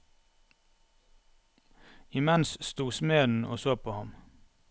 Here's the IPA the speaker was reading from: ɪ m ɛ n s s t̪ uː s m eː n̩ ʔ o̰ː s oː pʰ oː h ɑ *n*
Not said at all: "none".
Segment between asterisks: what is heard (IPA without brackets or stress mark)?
m